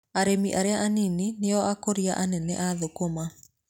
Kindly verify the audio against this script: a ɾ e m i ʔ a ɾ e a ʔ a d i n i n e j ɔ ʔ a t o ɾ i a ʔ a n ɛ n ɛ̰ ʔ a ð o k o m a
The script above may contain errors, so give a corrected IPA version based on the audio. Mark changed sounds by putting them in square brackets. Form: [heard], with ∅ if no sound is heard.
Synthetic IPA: a ɾ e m i ʔ a ɾ e a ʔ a [n] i n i n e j ɔ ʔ a [k] o ɾ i a ʔ a n ɛ n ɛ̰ ʔ a ð o k o m a

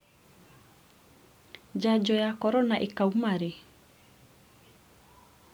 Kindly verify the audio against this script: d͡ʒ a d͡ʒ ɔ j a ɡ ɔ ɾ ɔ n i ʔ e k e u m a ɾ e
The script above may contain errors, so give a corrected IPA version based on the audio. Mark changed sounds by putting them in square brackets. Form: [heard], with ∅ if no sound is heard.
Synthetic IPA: d͡ʒ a d͡ʒ ɔ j a [k] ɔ ɾ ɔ n [a] ʔ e k [a] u m a ɾ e

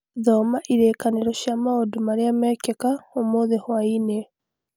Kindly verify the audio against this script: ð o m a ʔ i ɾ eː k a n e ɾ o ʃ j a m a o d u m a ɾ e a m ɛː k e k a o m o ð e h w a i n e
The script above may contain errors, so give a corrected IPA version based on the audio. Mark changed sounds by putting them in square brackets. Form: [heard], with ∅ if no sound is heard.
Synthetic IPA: ð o m a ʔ i ɾ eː k a n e ɾ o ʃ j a m a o d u m a ɾ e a m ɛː k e k a o m o ð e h w a i n e

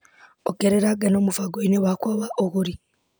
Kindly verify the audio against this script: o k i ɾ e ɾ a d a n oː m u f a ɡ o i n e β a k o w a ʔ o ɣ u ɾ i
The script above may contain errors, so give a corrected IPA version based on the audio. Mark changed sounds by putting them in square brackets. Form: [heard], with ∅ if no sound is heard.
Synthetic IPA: o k [e] ɾ e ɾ a [ɡ] a n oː m u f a ɡ o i n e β a k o [β] a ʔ o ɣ u ɾ i

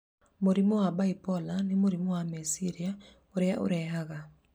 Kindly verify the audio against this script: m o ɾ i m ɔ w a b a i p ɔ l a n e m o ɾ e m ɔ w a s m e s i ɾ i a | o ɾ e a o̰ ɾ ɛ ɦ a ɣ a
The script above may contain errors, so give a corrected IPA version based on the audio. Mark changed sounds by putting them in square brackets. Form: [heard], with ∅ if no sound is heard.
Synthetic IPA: m o ɾ i m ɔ w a b a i p ɔ l a n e m o ɾ [i] m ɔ w a [∅] m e s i ɾ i a | o ɾ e a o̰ ɾ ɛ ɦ a ɣ a

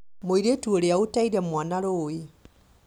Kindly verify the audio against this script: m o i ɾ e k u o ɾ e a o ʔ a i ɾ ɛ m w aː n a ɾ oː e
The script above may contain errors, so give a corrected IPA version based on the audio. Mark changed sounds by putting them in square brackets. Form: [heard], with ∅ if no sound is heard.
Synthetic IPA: m o i ɾ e [t] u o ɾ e a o [t] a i ɾ ɛ m w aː n a ɾ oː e

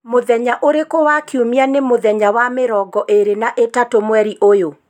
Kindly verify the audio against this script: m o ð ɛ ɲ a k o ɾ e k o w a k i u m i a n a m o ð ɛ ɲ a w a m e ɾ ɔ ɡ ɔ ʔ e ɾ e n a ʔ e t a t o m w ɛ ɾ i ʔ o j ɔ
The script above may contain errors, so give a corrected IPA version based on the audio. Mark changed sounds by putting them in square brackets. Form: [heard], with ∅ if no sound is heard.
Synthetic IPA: m o ð ɛ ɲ a [ʔ] o ɾ e k o w a k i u m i a n [e] m o ð ɛ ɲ a w a m e ɾ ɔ ɡ ɔ ʔ e ɾ e n a ʔ e t a t o m w ɛ ɾ i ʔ o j [o]

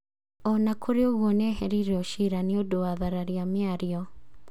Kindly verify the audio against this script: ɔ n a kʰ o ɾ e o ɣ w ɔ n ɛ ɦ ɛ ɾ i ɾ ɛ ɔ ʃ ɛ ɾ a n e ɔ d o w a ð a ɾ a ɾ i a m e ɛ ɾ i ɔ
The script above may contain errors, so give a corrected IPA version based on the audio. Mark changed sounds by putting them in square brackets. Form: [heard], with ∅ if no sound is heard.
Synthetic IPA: ɔ n a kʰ o ɾ e o ɣ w ɔ n ɛ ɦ ɛ ɾ i ɾ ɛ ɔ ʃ [i] ɾ a n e [o] d o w a ð a ɾ a ɾ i a m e [a] ɾ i ɔ

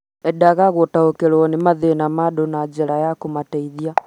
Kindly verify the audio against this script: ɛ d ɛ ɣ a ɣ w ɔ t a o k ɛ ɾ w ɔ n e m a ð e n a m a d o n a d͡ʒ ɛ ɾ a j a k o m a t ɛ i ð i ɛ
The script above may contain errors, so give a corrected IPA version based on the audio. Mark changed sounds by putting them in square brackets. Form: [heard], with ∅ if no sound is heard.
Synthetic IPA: ɛ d [a] ɣ a ɣ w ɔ t a o k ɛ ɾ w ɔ n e m a ð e n a m a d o n a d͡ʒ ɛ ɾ a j a k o m a t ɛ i ð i [a]

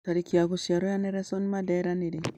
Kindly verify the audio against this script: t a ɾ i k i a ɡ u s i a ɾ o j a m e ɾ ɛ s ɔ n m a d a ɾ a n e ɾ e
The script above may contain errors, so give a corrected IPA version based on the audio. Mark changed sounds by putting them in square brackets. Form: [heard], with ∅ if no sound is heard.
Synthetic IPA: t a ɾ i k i a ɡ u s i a ɾ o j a [n] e ɾ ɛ s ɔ n m a d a ɾ a n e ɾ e

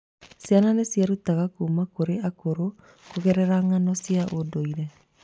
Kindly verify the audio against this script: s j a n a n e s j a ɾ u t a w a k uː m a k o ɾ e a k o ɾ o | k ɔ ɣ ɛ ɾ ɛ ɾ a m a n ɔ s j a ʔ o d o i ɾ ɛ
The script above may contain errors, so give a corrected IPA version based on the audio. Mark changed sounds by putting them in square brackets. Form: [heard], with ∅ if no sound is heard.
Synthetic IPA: s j a n a n e s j a ɾ u t a [ɣ] a k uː m a k o ɾ e a k o ɾ o | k [o] ɣ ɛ ɾ ɛ ɾ a [ŋ] a n ɔ s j a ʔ o d o i ɾ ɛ

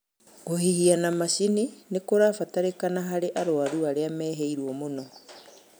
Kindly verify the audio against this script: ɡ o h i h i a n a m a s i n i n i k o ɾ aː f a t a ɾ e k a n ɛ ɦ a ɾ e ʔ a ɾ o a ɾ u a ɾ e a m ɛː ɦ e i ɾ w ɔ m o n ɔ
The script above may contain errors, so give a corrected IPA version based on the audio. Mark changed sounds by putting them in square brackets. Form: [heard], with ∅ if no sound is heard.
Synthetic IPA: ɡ o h i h i a n a m a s i n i n [e] k o ɾ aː f a t a ɾ e k a n [a] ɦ a ɾ e ʔ a ɾ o a ɾ u a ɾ e a m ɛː ɦ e i ɾ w ɔ m o n ɔ

